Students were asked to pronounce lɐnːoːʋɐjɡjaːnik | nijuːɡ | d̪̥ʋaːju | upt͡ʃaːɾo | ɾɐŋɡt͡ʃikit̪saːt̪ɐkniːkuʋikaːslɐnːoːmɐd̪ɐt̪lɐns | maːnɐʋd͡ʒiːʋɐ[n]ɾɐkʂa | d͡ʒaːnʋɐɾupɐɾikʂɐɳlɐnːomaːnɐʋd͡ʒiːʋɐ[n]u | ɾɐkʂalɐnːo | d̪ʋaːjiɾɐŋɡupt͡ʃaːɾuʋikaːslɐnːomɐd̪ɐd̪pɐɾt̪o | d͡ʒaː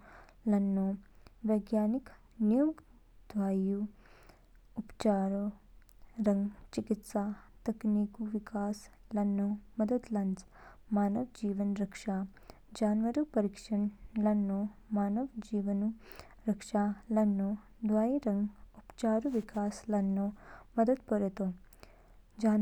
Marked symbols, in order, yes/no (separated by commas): yes, yes